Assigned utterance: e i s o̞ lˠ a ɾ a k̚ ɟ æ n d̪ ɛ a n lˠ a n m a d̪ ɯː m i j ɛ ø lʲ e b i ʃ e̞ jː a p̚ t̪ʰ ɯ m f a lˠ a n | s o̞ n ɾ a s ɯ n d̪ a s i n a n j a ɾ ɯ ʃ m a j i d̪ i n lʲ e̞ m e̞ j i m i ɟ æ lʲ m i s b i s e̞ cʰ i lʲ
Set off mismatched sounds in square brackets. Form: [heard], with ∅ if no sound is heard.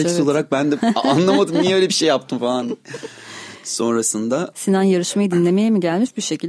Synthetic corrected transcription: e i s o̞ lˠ a ɾ a k̚ [b] æ n d̪ ɛ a n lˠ a [∅] m a d̪ [ɯ] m i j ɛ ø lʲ e b i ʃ e̞ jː a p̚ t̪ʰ ɯ m f a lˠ a n | s o̞ n ɾ a s ɯ n d̪ a s i n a n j a ɾ ɯ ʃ m a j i d̪ i n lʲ e̞ m e̞ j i m i ɟ æ lʲ m i [ʃ] b i [ʃ] e̞ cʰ i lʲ